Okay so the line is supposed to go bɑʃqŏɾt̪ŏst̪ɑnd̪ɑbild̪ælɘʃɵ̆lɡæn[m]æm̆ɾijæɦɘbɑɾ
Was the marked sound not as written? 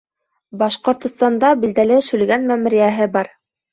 no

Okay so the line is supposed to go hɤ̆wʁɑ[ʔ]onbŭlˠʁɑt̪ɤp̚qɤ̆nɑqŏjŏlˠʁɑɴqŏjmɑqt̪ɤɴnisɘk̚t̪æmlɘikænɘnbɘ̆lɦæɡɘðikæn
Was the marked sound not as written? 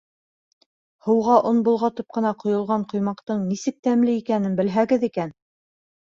no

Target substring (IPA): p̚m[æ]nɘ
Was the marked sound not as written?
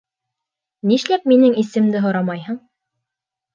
yes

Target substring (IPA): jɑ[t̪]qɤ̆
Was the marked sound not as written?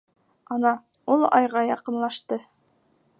yes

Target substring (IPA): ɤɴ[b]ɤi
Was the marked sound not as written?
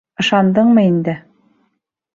yes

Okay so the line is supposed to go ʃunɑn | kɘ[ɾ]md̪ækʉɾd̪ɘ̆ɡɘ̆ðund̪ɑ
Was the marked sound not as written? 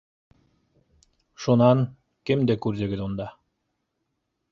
yes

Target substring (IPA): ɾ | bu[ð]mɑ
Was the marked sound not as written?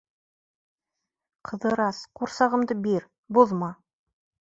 no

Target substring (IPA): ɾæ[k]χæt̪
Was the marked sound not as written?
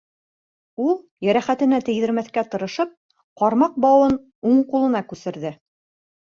yes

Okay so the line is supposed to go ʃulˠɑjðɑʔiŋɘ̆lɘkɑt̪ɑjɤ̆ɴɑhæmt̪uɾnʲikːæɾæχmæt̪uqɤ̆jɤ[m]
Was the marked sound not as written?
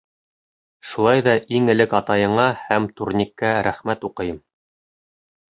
no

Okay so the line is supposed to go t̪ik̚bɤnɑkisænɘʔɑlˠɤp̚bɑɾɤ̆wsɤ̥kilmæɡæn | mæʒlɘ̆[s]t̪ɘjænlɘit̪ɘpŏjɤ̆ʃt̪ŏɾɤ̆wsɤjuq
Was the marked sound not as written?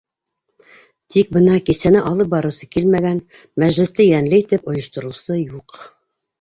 no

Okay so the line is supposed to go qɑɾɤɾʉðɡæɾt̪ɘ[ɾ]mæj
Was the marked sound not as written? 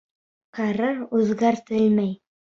yes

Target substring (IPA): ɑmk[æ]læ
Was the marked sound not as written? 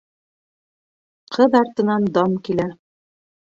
yes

